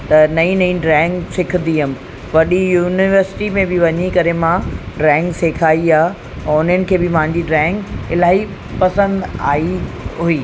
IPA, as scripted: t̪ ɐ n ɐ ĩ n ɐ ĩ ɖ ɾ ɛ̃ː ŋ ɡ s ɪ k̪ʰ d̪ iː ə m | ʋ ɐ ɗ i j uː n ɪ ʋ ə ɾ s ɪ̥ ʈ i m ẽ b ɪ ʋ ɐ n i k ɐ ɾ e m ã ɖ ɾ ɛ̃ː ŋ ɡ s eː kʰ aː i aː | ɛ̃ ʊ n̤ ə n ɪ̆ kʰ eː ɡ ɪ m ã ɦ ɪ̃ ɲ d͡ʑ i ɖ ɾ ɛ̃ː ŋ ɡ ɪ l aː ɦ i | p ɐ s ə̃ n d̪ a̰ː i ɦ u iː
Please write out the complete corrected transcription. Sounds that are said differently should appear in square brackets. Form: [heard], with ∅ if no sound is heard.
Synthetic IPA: t̪ ɐ n ɐ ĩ n ɐ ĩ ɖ ɾ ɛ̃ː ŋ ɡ s ɪ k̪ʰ d̪ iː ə m | ʋ ɐ ɗ i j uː n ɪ ʋ ə ɾ s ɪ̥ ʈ i m ẽ b ɪ ʋ ɐ [ɲ] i k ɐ ɾ e m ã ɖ ɾ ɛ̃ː ŋ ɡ s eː kʰ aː i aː | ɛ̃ ʊ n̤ ə n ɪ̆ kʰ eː [b] ɪ m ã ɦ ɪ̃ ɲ d͡ʑ i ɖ ɾ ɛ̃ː ŋ ɡ ɪ l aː ɦ i | p ɐ s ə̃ n d̪ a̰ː i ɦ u iː